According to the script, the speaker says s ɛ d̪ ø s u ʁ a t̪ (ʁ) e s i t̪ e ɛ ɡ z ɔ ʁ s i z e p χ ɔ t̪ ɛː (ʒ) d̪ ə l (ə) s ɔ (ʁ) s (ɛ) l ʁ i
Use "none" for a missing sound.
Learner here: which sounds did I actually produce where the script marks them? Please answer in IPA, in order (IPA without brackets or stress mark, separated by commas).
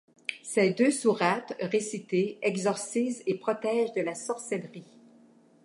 ʁ, ʒ, a, ʁ, ɛ